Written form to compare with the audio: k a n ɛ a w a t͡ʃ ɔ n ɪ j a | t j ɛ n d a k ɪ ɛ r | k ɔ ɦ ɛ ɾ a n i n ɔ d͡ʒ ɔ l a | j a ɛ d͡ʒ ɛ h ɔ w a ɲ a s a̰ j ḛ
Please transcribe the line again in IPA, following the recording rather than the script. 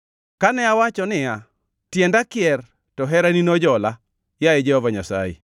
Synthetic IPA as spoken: k a n ɛ a w a t͡ʃ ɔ n ɪ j a | t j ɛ n d a k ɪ ɛ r | t ɔ ɦ ɛ ɾ a n i n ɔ d͡ʒ ɔ l a | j a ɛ d͡ʒ ɛ h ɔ v a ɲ a s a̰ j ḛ